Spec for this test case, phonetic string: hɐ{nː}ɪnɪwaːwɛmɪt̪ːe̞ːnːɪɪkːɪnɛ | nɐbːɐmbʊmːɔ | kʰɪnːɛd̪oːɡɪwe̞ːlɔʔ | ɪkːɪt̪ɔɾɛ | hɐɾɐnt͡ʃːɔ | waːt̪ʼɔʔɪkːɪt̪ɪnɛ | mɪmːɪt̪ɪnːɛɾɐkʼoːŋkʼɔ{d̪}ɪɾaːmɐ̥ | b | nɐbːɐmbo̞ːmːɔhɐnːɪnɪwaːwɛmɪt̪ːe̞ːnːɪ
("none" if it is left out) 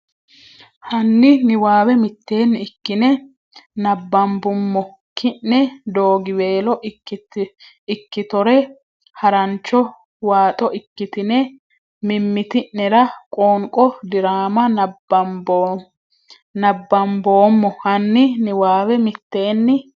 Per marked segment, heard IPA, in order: nː, d̪

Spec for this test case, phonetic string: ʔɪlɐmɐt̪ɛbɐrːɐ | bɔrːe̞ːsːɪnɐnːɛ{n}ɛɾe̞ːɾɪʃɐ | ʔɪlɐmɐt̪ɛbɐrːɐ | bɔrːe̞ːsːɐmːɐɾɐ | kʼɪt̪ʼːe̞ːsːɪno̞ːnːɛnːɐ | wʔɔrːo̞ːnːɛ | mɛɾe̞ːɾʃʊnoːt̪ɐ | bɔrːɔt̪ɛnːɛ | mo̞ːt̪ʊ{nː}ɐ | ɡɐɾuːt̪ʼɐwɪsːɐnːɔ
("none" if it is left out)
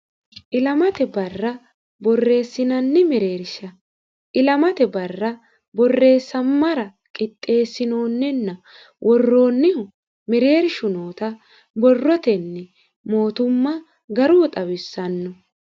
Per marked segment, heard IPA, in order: m, mː

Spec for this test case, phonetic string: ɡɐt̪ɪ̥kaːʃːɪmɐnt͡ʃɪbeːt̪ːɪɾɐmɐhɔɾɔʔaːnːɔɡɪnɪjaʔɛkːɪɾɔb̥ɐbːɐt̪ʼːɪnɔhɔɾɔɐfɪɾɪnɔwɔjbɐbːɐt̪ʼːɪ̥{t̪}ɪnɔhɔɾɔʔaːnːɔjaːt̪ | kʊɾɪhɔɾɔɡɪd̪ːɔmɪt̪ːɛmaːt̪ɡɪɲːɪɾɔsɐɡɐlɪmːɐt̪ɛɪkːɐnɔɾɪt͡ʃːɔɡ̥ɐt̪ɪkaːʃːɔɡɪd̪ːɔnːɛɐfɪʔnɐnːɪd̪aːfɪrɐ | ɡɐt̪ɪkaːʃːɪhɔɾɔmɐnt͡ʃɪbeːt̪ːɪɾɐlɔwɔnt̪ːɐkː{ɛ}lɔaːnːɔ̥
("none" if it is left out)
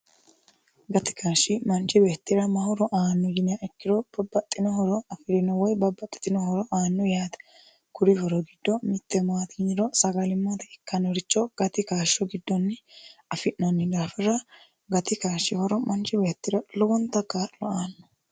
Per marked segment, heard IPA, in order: t̪, a

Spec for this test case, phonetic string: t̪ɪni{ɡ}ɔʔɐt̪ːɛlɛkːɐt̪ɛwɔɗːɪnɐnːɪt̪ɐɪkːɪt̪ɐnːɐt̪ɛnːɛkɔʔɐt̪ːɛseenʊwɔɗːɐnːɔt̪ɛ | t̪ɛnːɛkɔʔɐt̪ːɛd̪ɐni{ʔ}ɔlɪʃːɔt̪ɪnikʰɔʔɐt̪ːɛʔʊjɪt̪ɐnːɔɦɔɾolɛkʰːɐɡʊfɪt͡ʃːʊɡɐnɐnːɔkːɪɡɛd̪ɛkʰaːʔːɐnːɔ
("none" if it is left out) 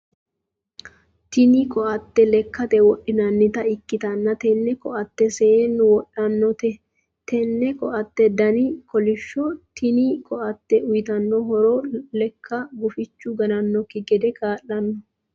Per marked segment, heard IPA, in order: k, k

